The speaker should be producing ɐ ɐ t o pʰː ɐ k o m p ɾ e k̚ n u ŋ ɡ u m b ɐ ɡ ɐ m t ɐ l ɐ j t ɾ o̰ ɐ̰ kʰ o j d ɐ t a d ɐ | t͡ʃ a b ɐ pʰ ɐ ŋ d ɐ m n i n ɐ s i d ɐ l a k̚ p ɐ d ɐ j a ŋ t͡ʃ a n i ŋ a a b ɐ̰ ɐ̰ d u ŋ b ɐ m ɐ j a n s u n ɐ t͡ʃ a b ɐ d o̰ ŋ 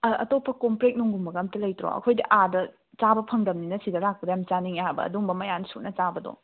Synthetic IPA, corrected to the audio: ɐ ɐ t o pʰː ɐ k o m p ɾ e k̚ n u ŋ ɡ u m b ɐ ɡ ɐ m t ɐ l ɐ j t ɾ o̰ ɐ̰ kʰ o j d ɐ ʔ a d ɐ | t͡ʃ a b ɐ pʰ ɐ ŋ d ɐ m n i n ɐ s i d ɐ l a k̚ p ɐ d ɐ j a m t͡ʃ a n i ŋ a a b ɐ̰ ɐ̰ d u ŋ b ɐ m ɐ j a n s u n ɐ t͡ʃ a b ɐ d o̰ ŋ